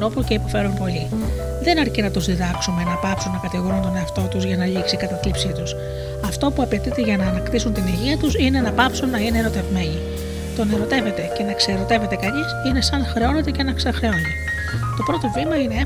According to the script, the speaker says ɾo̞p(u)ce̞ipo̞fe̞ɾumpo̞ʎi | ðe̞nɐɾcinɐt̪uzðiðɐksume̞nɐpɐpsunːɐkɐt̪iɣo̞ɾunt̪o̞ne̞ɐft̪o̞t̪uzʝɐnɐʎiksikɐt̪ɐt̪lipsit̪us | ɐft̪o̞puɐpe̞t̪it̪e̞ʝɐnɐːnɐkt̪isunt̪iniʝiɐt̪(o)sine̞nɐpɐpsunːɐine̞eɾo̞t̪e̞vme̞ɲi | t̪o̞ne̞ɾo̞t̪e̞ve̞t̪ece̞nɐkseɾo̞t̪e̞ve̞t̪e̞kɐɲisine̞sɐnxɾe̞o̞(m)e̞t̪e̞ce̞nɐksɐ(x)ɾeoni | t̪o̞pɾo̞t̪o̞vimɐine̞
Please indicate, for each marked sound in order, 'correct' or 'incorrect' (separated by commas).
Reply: correct, incorrect, incorrect, correct